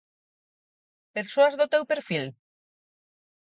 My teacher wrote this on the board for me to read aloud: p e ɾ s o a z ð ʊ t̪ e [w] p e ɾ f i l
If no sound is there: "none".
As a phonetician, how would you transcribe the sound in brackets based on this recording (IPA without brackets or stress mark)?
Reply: w